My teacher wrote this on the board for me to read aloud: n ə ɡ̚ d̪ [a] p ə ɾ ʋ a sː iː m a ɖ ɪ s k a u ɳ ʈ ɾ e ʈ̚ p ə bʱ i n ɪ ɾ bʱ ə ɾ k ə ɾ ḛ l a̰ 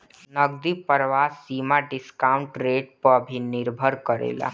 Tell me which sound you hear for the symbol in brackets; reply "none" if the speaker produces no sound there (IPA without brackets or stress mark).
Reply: i